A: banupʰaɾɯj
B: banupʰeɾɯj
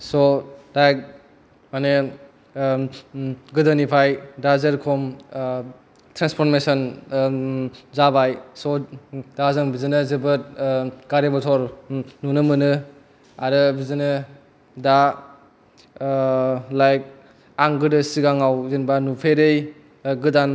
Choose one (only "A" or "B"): B